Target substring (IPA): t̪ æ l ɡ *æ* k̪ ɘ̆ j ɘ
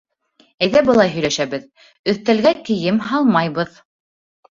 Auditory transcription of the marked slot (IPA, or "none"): æ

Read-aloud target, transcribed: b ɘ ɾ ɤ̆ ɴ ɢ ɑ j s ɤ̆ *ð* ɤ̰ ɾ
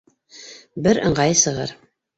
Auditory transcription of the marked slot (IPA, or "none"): ʁ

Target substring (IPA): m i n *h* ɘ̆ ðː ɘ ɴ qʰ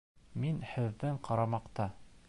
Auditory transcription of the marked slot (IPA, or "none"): h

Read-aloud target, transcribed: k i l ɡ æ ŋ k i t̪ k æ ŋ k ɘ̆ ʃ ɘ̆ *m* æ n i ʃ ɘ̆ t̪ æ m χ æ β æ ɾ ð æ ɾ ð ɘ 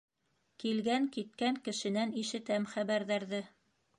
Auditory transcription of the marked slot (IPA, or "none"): n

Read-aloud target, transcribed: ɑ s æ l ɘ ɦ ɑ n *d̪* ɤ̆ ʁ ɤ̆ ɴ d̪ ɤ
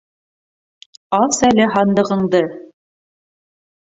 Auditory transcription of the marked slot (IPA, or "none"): d̪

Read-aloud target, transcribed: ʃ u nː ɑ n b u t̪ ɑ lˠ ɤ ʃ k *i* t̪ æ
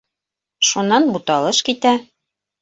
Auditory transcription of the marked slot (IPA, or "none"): i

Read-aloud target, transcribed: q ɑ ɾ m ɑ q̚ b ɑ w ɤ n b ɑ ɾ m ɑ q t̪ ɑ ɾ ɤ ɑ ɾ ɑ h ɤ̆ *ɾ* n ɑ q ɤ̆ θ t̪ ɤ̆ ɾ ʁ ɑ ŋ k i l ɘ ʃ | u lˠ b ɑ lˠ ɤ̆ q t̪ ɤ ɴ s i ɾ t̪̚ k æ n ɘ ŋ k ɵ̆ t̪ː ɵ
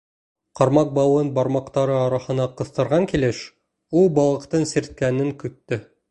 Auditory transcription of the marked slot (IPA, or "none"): none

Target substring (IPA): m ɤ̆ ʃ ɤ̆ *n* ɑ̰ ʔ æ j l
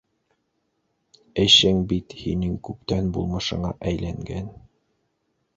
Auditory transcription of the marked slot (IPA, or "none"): ɴ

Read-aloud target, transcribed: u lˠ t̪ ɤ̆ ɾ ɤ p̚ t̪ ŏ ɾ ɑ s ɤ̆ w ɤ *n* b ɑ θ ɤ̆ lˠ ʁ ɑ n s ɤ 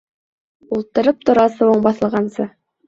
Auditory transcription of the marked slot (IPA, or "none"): ɴ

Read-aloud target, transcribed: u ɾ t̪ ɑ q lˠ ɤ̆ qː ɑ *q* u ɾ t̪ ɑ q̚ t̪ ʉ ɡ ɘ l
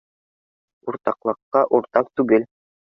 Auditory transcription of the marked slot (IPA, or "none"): ʔ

